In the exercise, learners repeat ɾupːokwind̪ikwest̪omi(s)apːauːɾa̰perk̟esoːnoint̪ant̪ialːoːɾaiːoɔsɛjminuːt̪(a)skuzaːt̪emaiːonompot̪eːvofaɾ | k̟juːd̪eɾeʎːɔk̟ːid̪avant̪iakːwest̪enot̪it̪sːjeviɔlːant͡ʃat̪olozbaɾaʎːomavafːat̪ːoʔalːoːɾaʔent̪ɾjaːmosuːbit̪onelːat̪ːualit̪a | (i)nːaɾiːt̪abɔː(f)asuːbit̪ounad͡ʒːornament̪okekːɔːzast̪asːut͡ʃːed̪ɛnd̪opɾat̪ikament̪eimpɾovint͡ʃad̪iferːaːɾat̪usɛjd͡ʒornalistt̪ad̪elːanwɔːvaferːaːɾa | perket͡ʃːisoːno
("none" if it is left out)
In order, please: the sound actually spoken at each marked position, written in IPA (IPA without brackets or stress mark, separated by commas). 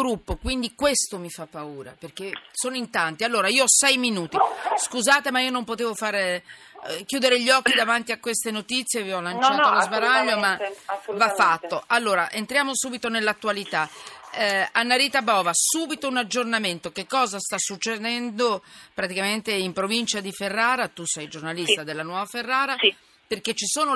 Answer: f, i, a, v